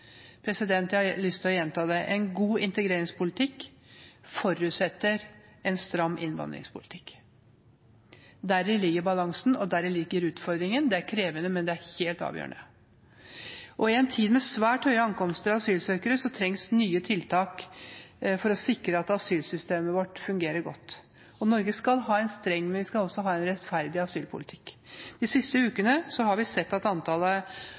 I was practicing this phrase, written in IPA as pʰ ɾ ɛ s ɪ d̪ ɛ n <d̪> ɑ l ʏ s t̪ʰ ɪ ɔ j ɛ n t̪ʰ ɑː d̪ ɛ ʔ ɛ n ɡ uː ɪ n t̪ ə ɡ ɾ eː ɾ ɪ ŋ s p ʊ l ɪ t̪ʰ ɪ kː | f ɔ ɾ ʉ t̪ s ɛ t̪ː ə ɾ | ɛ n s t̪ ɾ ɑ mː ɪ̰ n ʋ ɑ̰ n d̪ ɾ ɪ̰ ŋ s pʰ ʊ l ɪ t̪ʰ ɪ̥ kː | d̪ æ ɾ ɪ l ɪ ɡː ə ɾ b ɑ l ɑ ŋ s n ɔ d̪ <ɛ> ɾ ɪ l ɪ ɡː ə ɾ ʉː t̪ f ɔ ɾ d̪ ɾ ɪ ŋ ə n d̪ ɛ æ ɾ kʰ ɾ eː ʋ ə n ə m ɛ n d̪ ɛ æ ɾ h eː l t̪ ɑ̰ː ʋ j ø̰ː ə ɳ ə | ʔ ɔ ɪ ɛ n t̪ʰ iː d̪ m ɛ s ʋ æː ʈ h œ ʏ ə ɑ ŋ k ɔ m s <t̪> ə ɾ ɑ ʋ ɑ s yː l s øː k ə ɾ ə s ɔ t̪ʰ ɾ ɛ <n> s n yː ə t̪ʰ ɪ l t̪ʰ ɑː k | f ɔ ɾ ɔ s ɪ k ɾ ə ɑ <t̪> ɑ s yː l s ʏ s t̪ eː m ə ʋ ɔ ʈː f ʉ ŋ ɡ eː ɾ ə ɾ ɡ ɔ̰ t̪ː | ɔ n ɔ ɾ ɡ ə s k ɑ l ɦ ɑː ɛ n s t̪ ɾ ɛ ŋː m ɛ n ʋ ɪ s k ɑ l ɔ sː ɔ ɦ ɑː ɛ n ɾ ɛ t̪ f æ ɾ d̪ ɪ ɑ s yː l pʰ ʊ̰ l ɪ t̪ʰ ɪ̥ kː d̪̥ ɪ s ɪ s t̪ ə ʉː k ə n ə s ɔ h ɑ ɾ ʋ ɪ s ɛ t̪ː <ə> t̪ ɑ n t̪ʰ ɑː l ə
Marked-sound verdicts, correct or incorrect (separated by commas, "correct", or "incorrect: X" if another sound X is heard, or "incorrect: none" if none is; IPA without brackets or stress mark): incorrect: t̪, incorrect: æ, correct, incorrect: ŋ, correct, incorrect: ɑ